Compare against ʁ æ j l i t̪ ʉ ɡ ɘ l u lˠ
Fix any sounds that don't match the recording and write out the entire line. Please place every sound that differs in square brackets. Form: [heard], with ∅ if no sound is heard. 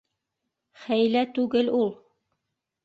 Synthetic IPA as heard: [χ] æ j l [æ] t̪ ʉ ɡ ɘ l u lˠ